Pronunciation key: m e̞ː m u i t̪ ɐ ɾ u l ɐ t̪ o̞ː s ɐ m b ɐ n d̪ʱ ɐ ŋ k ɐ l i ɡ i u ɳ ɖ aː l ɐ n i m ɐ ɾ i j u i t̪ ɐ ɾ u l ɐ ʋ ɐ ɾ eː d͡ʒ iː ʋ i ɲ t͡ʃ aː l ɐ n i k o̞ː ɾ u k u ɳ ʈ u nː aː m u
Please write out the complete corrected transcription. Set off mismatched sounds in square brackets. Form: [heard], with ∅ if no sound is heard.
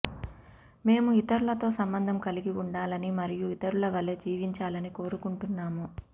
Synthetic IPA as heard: m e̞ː m u i t̪ ɐ ɾ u l ɐ t̪ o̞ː s ɐ m b ɐ n d̪ʱ ɐ [m] k ɐ l i ɡ i u ɳ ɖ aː l ɐ n i m ɐ ɾ i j u i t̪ ɐ ɾ u l ɐ ʋ ɐ [l] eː d͡ʒ iː ʋ i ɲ t͡ʃ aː l ɐ n i k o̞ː ɾ u k u ɳ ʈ u nː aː m u